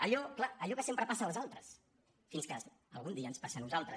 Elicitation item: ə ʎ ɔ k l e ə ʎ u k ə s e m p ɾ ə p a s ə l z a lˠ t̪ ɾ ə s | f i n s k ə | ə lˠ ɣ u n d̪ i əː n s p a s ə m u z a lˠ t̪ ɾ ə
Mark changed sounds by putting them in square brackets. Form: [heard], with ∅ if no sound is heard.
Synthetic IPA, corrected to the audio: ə ʎ ɔ k l [a] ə ʎ [ɔ] k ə s e m p ɾ ə p a s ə l z a lˠ t̪ ɾ ə s | f i n s k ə | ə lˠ ɣ u n d̪ i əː n s p a s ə [n] u z a lˠ t̪ ɾ ə